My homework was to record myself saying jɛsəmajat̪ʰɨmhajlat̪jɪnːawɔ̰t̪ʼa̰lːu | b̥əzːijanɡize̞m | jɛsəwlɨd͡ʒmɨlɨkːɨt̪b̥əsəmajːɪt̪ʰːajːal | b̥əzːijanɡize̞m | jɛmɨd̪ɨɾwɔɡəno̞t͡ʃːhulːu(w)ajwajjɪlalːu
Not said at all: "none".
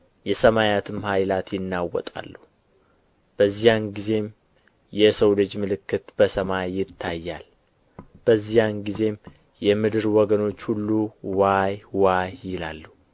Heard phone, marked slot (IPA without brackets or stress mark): w